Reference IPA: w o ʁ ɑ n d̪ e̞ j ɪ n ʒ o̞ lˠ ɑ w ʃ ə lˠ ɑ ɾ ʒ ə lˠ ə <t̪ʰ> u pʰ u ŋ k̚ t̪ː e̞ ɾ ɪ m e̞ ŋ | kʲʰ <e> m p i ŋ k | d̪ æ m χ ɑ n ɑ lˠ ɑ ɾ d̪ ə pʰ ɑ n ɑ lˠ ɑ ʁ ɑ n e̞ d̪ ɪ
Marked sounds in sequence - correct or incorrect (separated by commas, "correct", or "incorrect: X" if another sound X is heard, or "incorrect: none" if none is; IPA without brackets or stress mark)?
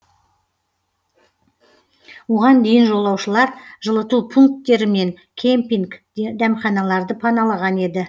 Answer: incorrect: t̪, correct